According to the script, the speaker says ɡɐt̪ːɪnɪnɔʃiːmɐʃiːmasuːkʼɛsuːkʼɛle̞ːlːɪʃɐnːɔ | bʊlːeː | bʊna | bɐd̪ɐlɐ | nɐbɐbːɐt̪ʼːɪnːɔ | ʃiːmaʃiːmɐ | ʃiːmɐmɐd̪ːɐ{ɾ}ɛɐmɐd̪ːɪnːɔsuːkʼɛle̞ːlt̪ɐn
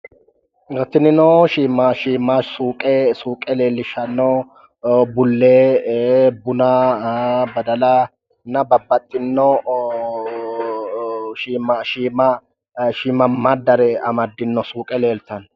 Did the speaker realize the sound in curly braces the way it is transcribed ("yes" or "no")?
yes